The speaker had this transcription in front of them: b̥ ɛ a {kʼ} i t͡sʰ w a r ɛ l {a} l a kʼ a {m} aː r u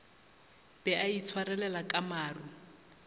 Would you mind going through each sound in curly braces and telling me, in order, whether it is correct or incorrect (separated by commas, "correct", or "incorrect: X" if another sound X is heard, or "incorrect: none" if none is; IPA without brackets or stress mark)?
incorrect: none, incorrect: ɛ, correct